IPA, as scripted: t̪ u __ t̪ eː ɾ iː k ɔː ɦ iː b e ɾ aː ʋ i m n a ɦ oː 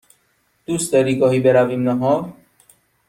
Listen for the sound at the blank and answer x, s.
s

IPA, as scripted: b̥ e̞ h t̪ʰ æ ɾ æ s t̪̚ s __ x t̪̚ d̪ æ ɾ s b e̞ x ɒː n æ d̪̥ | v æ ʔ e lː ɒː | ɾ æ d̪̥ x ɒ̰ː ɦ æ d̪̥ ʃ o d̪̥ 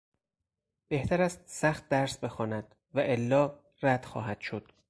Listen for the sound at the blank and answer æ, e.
æ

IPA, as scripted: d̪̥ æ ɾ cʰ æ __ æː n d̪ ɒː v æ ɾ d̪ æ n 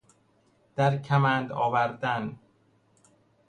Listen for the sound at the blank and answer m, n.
m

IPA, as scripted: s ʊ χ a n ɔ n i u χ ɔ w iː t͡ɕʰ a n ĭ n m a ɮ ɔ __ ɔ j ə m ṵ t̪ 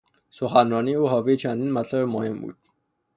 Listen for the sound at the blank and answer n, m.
m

